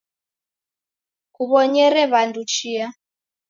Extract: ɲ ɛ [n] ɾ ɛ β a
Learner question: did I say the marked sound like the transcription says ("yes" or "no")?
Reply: no